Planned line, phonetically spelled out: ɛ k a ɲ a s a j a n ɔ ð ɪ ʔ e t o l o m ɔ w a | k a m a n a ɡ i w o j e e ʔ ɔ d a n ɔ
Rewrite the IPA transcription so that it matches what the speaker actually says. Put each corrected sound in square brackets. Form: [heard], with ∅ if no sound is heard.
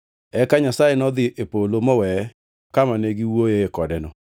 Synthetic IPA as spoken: ɛ k a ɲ a s a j [e] n ɔ ð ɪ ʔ e [p] o l o m ɔ w [ɛ] | k a m a n [e] ɡ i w o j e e [k] ɔ d [ɛ] n ɔ

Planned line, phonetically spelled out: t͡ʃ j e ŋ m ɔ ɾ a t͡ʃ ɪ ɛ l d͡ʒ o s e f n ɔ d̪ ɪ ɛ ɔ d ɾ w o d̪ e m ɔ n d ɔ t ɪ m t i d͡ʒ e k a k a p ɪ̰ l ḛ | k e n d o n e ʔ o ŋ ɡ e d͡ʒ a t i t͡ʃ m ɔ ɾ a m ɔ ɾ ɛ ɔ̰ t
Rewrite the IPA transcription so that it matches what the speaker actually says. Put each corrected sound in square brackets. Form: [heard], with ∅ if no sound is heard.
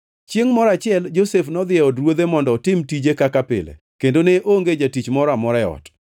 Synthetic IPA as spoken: t͡ʃ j e ŋ m ɔ ɾ a t͡ʃ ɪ ɛ l d͡ʒ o s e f n ɔ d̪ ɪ ɛ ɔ d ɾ w o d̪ e m ɔ n d ɔ t ɪ m t i d͡ʒ e k a k a p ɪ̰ l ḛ | k e n d o n e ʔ o ŋ ɡ e d͡ʒ a t i t͡ʃ m ɔ ɾ a m ɔ ɾ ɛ ɔ̰ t

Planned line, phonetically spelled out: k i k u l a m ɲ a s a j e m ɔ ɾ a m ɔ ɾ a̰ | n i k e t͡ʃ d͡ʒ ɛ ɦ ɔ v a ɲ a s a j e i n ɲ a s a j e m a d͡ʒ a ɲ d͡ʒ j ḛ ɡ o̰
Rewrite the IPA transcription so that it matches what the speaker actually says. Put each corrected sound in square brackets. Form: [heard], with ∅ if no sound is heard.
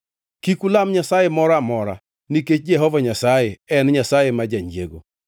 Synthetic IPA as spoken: k i k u l a m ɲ a s a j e m ɔ ɾ a m ɔ ɾ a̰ | n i k e t͡ʃ d͡ʒ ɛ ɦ ɔ v a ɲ a s a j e [ɛ] n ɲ a s a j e m a d͡ʒ a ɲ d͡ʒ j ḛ ɡ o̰

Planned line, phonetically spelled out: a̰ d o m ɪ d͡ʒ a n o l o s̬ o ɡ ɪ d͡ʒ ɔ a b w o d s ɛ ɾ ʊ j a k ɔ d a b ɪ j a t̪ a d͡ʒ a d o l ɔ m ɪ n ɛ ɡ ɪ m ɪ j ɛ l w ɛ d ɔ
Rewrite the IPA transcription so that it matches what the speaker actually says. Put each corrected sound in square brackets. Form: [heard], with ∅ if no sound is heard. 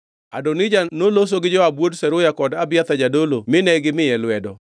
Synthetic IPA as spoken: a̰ d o [n] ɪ d͡ʒ a n o l o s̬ o ɡ ɪ d͡ʒ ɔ a b w o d s ɛ ɾ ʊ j a k ɔ d a b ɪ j a t̪ a d͡ʒ a d o l [o] m ɪ n ɛ ɡ ɪ m ɪ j ɛ l w ɛ d ɔ

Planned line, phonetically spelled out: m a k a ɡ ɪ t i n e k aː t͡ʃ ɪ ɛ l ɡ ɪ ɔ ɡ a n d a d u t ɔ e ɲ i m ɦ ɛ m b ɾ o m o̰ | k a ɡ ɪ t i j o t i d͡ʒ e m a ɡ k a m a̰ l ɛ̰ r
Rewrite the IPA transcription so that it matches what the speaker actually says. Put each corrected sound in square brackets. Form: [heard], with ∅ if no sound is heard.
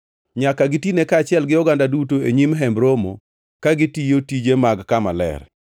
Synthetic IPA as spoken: [ɲ] a k a ɡ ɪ t i n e k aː t͡ʃ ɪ ɛ l ɡ ɪ ɔ ɡ a n d a d u t [o] e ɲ i m ɦ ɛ m b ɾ o m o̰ | k a ɡ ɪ t i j o t i d͡ʒ e m a ɡ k a m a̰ l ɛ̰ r

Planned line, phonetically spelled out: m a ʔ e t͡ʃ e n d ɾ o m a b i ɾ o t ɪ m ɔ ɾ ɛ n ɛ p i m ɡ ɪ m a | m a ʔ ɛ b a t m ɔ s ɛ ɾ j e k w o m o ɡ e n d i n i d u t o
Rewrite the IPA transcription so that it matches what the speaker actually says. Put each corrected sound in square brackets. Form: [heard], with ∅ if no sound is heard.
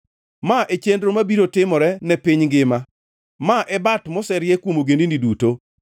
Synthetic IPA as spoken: m a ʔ e t͡ʃ e n d ɾ o m a b i ɾ o t ɪ m ɔ ɾ ɛ n ɛ p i [ɲ] ɡ ɪ m a | m a ʔ ɛ b a t m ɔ s ɛ ɾ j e k w o m o ɡ e n d i n i d u t o

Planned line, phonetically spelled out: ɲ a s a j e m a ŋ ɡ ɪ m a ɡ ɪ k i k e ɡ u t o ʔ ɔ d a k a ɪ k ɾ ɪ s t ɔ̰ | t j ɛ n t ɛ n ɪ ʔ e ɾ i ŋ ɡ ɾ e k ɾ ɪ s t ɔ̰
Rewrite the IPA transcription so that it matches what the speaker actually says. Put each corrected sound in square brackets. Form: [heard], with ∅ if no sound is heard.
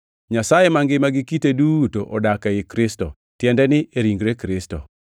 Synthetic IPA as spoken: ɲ a s a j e m a ŋ ɡ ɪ m a ɡ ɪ k i [t] e [d] u t o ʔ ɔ d a k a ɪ k ɾ ɪ s t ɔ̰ | t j ɛ n [d] ɛ n ɪ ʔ e ɾ i ŋ ɡ ɾ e k ɾ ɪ s t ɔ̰

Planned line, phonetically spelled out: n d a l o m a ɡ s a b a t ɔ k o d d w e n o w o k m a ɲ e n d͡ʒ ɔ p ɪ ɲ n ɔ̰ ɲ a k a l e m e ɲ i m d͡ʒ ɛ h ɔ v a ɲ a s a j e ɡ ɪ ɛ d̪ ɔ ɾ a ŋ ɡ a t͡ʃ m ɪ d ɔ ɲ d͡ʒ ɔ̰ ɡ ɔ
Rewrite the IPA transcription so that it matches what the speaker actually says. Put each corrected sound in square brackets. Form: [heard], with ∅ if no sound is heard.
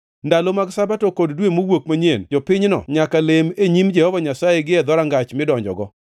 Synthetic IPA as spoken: n d a l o m a ɡ s a b a t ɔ k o d d w e [m] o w o k m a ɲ e n d͡ʒ ɔ p ɪ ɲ n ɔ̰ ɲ a k a l e m e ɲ i m d͡ʒ ɛ h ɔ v a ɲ a s a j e ɡ ɪ ɛ d̪ ɔ ɾ a ŋ ɡ a t͡ʃ m ɪ d ɔ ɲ d͡ʒ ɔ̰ ɡ ɔ

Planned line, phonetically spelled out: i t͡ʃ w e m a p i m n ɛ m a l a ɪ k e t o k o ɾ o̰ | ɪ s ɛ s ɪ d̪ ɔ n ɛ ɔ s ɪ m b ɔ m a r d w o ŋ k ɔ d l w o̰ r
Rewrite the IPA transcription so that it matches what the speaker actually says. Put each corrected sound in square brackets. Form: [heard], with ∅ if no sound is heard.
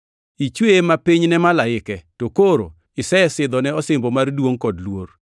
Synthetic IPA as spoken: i t͡ʃ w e m a p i [ɲ] n ɛ m a l a ɪ k [ɛ] t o k o ɾ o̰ | ɪ s ɛ s ɪ d̪ ɔ n ɛ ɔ s ɪ m b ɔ m a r d w o ŋ k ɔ d l w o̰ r

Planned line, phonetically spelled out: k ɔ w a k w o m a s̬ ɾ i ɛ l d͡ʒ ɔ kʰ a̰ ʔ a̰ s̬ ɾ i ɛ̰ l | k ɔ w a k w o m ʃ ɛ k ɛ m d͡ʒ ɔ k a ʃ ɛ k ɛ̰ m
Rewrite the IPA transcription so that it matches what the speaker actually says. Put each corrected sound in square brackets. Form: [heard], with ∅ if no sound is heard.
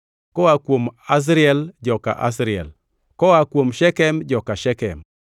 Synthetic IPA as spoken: k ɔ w a k w o m a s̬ ɾ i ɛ l d͡ʒ ɔ [k] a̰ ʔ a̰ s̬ ɾ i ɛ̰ l | k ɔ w a k w o m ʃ ɛ k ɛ m d͡ʒ ɔ k a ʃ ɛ k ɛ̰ m

